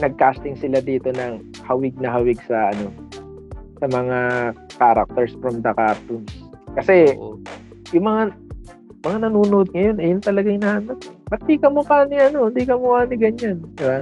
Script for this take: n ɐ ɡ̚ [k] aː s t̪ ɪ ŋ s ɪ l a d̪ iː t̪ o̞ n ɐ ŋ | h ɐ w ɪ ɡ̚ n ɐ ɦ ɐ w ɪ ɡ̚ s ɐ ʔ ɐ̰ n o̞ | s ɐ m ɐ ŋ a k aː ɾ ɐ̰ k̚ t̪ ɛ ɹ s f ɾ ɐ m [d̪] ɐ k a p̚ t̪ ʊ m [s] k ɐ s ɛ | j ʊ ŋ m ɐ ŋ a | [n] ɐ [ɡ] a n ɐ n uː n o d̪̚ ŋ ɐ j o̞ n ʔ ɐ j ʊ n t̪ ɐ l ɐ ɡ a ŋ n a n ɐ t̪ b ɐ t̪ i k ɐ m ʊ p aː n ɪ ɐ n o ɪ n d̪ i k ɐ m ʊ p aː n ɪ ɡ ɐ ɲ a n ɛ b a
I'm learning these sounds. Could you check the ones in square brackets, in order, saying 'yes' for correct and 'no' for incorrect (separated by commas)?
yes, yes, yes, no, no